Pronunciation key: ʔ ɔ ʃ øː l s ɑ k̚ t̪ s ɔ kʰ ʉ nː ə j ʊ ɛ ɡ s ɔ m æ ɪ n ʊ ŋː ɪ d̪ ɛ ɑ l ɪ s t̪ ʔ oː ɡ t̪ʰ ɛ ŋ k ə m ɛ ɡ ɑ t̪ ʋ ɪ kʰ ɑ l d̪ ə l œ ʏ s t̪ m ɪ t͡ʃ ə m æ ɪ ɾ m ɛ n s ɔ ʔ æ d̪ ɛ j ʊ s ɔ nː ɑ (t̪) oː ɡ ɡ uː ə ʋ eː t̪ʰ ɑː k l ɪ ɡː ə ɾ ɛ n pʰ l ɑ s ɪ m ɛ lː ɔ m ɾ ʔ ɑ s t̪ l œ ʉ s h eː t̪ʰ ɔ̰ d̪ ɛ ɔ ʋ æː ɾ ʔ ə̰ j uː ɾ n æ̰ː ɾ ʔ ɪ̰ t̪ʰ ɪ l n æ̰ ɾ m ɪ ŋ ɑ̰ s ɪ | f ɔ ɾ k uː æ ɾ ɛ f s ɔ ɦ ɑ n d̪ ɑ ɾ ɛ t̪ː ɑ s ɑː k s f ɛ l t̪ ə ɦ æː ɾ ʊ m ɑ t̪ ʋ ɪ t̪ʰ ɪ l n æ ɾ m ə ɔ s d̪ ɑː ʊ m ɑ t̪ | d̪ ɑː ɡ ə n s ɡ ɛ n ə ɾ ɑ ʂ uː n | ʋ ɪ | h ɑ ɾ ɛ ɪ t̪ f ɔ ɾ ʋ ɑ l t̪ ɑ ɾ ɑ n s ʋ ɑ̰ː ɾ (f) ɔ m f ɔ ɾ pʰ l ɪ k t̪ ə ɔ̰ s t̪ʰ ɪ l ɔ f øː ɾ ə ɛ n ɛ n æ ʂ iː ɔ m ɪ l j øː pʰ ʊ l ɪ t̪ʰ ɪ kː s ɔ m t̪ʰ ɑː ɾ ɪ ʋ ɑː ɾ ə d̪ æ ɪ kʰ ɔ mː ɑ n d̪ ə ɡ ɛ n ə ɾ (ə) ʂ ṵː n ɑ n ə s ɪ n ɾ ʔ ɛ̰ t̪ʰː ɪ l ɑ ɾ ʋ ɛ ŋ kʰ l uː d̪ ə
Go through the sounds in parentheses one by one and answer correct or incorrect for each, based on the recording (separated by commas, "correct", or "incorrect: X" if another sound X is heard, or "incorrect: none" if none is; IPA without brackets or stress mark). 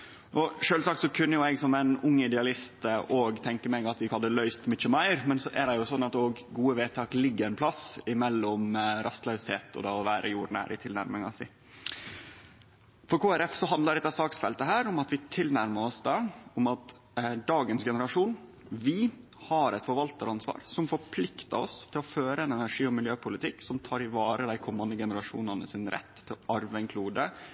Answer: correct, incorrect: s, incorrect: ɑ